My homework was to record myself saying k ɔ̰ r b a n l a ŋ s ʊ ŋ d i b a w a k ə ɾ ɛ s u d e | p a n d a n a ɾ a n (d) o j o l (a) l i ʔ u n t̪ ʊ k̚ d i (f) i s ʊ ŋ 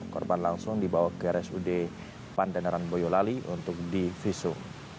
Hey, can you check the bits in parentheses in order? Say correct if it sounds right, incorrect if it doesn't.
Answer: incorrect, correct, correct

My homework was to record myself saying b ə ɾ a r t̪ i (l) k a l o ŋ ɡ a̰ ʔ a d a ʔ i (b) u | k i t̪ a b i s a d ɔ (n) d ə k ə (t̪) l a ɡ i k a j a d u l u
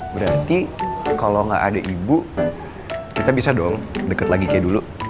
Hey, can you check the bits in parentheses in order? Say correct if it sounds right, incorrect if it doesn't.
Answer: incorrect, correct, incorrect, correct

